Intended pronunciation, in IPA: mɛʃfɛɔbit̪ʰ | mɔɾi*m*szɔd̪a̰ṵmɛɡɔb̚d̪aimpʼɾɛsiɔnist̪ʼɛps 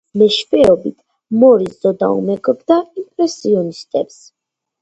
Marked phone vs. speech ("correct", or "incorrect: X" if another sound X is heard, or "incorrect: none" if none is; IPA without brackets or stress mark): incorrect: none